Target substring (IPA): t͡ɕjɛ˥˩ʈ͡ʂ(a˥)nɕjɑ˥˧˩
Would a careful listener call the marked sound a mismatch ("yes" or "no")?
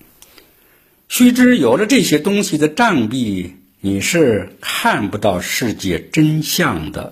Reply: yes